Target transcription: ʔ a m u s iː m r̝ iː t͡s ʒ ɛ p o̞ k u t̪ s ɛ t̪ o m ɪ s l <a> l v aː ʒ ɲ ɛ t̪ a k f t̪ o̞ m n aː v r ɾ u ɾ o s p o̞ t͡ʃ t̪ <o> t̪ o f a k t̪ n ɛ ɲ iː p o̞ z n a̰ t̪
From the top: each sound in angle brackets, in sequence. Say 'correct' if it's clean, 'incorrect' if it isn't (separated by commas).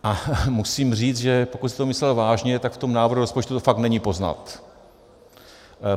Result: incorrect, incorrect